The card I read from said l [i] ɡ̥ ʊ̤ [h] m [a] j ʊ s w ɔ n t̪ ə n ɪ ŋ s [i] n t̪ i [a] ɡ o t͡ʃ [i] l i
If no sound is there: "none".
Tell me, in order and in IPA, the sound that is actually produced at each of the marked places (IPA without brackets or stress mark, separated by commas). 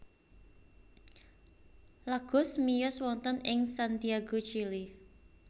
a, s, i, a, a, i